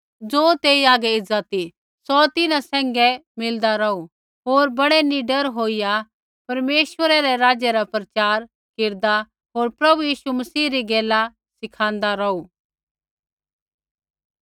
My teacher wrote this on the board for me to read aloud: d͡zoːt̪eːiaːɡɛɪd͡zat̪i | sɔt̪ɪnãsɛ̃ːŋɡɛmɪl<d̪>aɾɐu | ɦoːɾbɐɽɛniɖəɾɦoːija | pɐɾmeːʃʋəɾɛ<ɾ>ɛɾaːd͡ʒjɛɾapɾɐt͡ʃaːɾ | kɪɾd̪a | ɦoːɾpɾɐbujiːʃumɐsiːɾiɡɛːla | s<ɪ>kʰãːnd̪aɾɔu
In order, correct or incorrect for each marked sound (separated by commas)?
correct, correct, correct